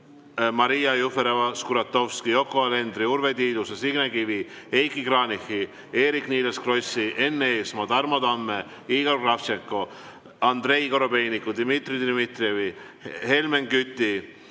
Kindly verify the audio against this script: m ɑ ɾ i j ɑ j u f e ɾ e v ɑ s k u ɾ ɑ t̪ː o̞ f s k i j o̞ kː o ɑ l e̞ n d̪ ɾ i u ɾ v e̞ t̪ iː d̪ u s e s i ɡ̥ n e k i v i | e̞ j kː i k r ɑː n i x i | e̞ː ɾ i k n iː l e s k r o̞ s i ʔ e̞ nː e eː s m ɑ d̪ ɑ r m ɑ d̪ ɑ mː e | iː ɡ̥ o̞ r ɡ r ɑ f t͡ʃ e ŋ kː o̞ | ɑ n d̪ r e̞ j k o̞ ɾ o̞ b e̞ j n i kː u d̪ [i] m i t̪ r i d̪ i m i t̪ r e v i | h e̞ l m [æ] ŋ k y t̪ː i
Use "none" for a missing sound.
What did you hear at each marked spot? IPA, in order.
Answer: i, e

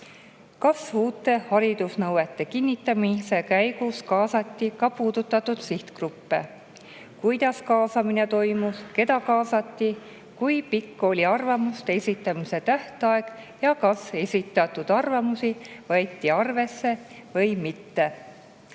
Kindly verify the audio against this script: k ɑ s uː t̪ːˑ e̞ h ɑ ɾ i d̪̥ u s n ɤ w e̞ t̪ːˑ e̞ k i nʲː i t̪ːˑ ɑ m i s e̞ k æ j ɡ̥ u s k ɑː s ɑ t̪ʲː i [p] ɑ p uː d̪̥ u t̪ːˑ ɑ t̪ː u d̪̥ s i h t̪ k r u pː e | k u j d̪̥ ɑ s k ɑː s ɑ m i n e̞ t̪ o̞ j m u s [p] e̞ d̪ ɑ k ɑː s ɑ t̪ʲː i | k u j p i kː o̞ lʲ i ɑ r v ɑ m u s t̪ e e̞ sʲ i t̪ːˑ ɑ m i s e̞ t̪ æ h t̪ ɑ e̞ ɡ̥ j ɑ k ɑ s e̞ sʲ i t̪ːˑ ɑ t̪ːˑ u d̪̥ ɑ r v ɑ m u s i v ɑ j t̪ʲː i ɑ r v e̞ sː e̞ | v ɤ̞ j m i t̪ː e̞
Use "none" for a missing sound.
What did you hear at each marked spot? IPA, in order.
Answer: k, k

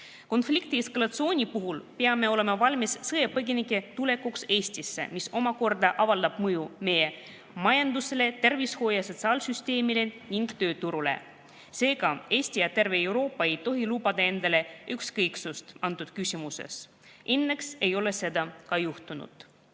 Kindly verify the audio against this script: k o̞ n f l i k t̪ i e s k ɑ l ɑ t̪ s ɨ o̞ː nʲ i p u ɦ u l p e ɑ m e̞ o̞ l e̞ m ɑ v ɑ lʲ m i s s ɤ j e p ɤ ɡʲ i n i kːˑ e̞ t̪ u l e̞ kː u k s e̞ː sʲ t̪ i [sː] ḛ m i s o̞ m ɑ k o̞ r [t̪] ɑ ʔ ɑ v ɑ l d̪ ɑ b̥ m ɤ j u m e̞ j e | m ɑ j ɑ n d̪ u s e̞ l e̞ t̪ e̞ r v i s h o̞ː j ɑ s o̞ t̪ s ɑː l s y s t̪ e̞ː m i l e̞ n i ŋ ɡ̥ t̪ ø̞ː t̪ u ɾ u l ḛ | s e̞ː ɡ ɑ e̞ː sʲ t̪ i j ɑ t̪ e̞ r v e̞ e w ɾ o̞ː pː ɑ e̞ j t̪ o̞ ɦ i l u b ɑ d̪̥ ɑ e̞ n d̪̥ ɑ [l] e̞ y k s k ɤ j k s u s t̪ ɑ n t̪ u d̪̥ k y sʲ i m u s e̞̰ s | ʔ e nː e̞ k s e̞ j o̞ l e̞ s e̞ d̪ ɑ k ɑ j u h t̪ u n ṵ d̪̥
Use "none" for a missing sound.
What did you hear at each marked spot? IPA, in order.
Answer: sː, d̪, l

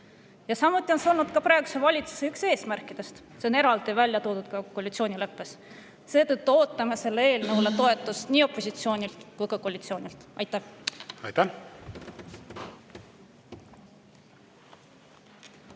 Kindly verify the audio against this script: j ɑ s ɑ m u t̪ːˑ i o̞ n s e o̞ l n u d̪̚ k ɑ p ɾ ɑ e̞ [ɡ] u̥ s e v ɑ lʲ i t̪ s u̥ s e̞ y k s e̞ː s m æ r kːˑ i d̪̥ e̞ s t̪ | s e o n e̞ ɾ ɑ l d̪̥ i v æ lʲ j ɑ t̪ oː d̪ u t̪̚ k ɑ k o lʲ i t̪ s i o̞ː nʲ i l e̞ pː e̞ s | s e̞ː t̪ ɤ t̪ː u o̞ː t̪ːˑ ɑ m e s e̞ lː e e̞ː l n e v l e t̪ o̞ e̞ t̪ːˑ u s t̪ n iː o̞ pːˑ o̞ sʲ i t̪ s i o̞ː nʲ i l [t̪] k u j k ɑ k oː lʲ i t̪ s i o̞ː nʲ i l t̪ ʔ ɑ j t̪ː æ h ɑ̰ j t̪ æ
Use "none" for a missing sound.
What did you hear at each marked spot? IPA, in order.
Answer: ɡ, t̪

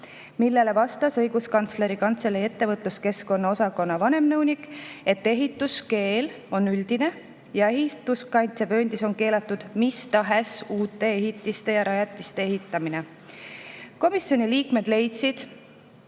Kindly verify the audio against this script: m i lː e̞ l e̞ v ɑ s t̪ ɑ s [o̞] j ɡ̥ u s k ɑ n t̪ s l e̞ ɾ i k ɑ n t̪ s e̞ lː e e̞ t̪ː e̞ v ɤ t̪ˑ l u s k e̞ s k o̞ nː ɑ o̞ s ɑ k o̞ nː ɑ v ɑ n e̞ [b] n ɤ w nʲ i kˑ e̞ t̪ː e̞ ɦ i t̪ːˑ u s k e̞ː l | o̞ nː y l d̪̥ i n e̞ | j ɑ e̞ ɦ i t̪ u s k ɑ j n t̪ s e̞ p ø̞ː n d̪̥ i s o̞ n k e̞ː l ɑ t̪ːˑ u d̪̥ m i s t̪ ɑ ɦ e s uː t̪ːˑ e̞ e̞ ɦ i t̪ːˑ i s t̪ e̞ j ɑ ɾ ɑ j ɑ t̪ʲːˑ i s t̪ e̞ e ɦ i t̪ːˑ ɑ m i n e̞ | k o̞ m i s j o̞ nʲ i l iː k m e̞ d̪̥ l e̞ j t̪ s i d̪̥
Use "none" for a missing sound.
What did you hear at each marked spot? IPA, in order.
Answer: ɤ̞, m

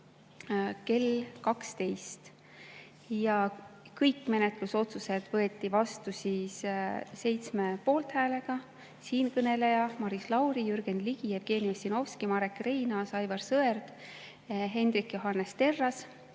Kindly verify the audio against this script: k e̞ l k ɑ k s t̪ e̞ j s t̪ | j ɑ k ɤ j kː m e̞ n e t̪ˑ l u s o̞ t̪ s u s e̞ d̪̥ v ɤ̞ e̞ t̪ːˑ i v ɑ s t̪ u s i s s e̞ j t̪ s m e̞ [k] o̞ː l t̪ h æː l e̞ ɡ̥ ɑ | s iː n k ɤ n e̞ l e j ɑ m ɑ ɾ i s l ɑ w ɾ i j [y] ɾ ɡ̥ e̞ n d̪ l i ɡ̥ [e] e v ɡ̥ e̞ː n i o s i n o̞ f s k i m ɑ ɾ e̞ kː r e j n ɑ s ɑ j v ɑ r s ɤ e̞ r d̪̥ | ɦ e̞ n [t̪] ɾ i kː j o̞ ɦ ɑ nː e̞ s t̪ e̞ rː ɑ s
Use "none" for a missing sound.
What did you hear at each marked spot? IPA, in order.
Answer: p, y, i, d̪

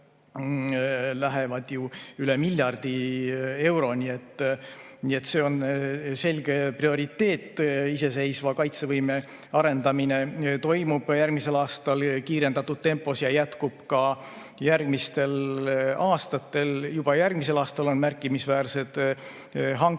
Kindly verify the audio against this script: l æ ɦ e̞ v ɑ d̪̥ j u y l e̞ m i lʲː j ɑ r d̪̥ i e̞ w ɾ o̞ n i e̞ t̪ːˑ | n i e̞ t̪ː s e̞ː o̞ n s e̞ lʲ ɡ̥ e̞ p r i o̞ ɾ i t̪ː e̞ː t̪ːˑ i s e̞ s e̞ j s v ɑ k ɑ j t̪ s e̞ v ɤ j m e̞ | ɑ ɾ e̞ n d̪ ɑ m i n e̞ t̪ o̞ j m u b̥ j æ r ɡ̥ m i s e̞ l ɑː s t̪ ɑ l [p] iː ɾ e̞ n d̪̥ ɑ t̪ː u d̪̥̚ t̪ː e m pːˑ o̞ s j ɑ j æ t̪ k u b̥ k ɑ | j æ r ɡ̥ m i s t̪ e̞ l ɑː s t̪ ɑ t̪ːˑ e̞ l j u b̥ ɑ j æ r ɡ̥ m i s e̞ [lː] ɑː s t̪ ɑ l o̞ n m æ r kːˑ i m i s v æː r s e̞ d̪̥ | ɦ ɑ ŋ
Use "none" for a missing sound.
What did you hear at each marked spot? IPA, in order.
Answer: k, l

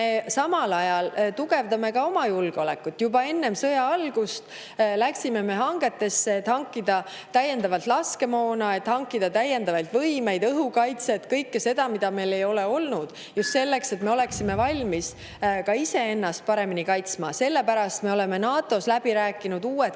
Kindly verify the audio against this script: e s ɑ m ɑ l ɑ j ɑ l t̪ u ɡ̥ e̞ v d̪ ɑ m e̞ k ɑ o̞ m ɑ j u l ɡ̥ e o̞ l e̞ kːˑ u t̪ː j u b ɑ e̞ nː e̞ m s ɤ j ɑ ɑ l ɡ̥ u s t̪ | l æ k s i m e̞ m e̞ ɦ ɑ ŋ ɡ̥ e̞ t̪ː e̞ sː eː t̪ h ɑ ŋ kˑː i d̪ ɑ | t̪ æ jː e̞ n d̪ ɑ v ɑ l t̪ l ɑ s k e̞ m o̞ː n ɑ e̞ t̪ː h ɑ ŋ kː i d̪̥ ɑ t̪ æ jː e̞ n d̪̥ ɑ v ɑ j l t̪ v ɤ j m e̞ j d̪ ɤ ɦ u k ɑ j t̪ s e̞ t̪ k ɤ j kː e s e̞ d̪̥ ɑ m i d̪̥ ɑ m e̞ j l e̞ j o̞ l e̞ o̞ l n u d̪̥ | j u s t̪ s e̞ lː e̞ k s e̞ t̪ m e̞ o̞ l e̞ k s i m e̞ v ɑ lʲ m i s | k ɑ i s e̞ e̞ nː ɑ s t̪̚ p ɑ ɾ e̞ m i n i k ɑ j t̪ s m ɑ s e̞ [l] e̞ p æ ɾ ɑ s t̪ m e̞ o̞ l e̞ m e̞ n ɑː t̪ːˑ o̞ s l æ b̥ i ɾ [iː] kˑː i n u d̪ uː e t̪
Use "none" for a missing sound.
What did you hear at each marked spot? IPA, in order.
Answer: lː, æː

